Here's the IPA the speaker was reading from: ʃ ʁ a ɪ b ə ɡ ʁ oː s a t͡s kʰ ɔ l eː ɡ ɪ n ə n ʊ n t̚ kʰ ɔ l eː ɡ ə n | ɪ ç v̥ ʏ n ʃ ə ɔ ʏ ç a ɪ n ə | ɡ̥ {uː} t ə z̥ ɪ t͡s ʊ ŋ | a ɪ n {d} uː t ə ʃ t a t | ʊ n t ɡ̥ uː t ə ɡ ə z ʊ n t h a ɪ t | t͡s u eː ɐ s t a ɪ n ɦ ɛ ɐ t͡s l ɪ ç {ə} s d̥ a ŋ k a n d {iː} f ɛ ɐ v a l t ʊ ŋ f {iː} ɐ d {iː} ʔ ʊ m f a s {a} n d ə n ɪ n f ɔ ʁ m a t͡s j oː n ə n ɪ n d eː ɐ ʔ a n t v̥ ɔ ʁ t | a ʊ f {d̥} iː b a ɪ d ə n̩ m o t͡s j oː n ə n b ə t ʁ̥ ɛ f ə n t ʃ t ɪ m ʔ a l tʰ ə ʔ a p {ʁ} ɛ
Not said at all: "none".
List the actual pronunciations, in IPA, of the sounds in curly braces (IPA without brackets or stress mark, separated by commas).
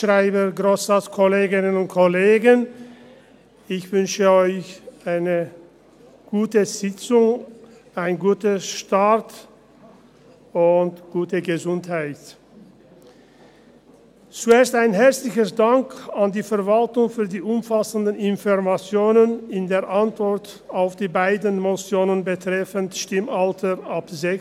uː, ɡ, ə, iː, yː, iː, ə, d̥, z